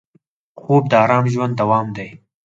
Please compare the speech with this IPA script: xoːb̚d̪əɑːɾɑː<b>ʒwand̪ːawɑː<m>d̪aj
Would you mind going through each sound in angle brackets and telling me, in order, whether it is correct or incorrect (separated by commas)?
incorrect, correct